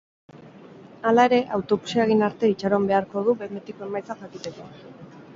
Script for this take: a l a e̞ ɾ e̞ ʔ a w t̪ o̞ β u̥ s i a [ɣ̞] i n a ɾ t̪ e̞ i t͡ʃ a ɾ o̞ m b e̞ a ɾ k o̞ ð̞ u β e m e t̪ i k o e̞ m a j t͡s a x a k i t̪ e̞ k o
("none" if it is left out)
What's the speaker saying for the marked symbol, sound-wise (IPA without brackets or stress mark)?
ɣ̞